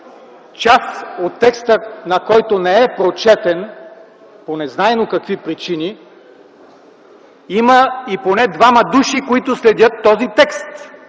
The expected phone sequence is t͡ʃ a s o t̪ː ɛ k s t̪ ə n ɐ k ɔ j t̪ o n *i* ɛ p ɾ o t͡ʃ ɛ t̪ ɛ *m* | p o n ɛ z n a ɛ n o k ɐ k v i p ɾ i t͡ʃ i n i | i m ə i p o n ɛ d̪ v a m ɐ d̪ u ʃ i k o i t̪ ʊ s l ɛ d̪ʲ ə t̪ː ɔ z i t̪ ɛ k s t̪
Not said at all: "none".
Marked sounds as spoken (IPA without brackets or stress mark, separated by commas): ɛ, n